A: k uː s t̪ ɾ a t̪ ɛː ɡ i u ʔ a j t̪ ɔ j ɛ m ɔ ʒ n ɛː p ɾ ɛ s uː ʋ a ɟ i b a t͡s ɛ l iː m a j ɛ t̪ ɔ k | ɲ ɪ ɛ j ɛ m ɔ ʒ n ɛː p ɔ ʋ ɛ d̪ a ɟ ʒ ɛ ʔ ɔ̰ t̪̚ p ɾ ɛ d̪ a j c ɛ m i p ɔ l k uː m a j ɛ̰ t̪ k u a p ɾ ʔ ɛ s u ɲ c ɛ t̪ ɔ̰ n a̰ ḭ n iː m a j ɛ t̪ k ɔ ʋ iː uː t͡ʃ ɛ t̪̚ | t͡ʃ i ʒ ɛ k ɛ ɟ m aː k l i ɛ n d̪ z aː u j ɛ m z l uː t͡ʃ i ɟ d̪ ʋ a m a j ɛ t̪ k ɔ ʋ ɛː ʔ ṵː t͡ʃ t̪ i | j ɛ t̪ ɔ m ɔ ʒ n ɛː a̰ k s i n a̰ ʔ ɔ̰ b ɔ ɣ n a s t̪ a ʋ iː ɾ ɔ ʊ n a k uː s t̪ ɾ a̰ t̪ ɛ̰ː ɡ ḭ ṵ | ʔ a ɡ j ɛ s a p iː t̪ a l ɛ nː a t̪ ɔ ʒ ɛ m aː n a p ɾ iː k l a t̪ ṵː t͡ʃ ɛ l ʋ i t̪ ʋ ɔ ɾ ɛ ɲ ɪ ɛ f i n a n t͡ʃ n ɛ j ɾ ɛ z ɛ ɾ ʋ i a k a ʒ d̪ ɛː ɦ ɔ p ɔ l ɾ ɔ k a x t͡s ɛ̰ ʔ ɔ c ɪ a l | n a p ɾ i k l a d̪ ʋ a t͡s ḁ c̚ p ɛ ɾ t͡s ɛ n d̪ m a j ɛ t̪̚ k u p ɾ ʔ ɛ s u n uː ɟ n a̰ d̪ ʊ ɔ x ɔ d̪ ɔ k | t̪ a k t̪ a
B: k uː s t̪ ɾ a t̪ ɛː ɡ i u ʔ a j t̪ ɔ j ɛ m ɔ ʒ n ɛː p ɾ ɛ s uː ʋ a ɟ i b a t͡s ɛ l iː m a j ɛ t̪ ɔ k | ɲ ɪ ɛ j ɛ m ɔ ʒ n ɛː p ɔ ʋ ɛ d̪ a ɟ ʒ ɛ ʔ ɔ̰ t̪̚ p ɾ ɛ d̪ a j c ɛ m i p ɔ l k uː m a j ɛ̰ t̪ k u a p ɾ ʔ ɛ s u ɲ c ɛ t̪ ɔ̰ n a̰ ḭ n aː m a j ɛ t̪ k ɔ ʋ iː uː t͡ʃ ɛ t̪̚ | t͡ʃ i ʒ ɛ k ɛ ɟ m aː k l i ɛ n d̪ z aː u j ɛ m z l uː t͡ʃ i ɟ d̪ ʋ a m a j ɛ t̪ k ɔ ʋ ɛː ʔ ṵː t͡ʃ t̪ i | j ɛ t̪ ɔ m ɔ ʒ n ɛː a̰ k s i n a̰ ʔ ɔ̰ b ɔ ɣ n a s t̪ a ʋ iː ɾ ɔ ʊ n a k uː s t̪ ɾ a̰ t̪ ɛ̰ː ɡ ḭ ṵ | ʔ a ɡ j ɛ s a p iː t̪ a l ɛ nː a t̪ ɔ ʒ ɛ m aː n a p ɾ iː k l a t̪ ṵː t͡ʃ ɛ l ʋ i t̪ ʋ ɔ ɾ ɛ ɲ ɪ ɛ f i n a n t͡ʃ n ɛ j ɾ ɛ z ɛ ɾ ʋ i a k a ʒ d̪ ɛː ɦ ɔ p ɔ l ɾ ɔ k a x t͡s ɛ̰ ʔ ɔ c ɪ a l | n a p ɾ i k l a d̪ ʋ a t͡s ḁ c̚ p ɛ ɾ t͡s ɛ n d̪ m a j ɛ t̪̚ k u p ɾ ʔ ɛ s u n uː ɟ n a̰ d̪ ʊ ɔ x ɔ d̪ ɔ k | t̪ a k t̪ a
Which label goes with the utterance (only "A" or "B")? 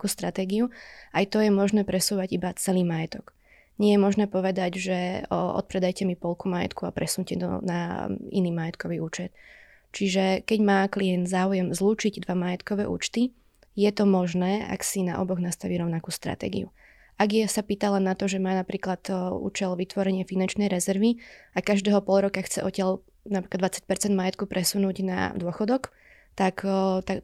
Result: A